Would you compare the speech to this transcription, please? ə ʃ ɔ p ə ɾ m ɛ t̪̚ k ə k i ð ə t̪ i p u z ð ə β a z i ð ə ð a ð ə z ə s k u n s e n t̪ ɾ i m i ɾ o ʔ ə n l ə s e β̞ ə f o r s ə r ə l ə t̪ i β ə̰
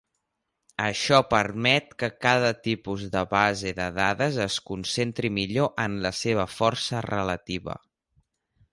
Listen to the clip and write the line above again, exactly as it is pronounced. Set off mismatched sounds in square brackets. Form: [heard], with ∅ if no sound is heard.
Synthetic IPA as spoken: ə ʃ ɔ p ə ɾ m ɛ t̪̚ k ə k [a] ð ə t̪ i p u z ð ə β a z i ð ə ð a ð ə z ə s k u n s e n t̪ ɾ i m i [ʎ] o ʔ ə n l ə s e β̞ ə f [ɔ] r s ə r ə l ə t̪ i β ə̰